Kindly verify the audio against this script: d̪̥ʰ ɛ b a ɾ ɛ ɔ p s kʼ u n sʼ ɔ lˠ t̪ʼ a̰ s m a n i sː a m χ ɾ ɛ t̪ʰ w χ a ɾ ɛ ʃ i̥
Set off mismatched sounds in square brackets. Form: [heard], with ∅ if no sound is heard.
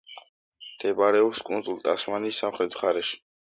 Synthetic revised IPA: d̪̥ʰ ɛ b a ɾ ɛ ɔ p s kʼ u n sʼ [u] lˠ t̪ʼ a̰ s m a n i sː a m χ ɾ ɛ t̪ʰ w χ a ɾ ɛ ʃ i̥

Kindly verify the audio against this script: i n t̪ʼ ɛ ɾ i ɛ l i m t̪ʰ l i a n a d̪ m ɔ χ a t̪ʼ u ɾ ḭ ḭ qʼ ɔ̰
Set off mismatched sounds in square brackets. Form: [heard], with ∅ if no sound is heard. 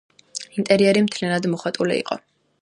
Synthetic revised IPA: i n t̪ʼ ɛ ɾ i ɛ [ɾ] i m t̪ʰ l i a n a d̪ m ɔ χ a t̪ʼ u [l] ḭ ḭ qʼ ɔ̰

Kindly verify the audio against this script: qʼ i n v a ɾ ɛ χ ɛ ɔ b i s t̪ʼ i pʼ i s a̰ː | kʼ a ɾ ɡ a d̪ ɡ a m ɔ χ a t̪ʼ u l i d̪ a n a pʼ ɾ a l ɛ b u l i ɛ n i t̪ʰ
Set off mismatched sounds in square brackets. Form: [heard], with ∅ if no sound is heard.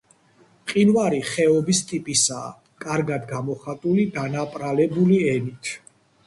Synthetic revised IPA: qʼ i n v a ɾ [i] χ ɛ ɔ b i s t̪ʼ i pʼ i s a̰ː | kʼ a ɾ ɡ a d̪ ɡ a m ɔ χ a t̪ʼ u l i d̪ a n a pʼ ɾ a l ɛ b u l i ɛ n i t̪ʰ

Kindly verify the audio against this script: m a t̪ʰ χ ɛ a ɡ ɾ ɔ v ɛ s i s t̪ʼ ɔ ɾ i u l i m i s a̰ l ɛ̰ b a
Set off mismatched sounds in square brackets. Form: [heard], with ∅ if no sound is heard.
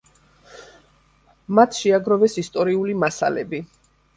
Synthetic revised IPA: m a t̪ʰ [ʃ] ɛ a ɡ ɾ ɔ v ɛ s i s t̪ʼ ɔ ɾ i u l i m [a] s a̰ l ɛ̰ b [i]

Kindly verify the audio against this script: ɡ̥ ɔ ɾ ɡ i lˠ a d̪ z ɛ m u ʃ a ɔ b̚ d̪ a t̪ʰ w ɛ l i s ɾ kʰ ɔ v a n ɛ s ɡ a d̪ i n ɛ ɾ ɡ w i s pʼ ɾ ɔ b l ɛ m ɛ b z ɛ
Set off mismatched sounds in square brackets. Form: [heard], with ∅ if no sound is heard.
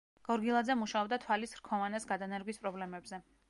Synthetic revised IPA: ɡ̥ ɔ ɾ ɡ i lˠ a d̪ z ɛ m u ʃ a ɔ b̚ d̪ a t̪ʰ w [a] l i s ɾ kʰ ɔ v a n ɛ s ɡ a d̪ [a] n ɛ ɾ ɡ w i s pʼ ɾ ɔ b l ɛ m ɛ b z ɛ

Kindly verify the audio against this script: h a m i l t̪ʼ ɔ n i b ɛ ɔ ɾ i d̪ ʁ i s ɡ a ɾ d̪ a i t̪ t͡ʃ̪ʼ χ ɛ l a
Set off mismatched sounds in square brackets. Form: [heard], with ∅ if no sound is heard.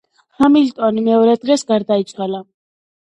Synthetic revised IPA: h a m i l t̪ʼ ɔ n i [m] ɛ ɔ ɾ [ɛ] d̪ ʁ [ɛ] s ɡ a ɾ d̪ a i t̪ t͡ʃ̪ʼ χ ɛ l a

